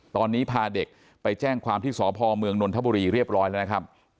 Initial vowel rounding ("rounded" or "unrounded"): rounded